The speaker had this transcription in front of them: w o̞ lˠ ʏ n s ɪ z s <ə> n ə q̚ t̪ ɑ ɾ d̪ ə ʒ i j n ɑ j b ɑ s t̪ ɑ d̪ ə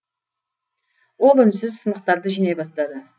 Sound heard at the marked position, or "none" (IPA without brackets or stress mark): ə